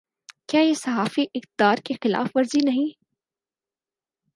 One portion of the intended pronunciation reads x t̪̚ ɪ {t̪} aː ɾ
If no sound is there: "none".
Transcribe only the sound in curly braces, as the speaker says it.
d̪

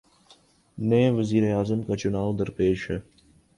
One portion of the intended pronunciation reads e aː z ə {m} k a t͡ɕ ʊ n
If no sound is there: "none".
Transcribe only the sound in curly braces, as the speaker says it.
m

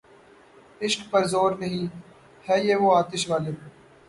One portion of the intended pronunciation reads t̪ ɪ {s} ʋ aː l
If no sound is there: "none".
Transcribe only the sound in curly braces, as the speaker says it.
ʃ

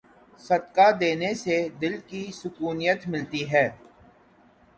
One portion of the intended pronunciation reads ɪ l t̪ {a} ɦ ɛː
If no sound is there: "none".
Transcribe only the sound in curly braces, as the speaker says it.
i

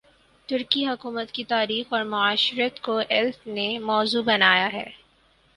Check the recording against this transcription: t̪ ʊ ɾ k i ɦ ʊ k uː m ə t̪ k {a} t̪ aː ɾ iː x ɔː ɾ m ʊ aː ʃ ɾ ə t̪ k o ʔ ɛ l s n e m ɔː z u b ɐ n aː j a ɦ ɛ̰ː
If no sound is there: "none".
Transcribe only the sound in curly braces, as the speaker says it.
i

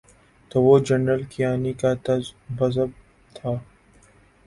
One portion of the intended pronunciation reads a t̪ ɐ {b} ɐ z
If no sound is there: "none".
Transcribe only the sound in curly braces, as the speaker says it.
b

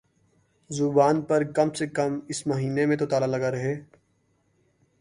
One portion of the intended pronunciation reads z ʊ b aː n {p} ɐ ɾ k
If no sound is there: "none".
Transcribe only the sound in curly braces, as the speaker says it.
p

